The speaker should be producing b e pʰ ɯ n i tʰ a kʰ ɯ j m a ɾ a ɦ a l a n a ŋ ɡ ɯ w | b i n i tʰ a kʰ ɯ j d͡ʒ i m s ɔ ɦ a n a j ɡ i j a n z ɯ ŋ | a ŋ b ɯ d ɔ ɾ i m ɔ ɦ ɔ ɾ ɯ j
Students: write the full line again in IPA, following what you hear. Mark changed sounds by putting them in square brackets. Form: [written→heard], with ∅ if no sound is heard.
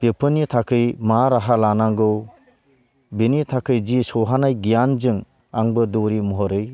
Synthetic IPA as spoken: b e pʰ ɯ n i tʰ a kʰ ɯ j m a ɾ a ɦ a l a n a ŋ ɡ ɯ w | b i n i tʰ a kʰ ɯ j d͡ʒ i [m→∅] s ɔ ɦ a n a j ɡ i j a n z ɯ ŋ | a ŋ b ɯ d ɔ ɾ i m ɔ ɦ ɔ ɾ ɯ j